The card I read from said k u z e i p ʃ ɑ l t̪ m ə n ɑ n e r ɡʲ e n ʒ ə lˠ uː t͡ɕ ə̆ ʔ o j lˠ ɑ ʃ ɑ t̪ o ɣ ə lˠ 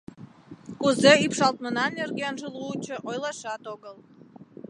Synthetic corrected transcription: k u z e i p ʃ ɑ l t̪ m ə n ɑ n e r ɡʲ e n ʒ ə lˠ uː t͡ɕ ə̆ ʔ o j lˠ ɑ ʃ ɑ t̪ o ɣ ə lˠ